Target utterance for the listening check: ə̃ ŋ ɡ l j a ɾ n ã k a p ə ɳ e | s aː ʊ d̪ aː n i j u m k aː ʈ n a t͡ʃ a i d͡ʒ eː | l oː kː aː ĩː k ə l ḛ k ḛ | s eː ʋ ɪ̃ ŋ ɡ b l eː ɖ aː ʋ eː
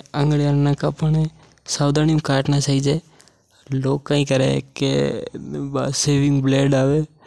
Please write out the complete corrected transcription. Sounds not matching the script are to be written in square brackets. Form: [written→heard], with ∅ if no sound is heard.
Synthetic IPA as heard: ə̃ ŋ ɡ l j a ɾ n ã k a p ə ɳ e | s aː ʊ d̪ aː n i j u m k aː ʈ n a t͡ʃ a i d͡ʒ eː | l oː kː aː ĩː k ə [l→ɾ] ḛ k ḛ | s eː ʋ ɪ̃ ŋ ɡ b l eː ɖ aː ʋ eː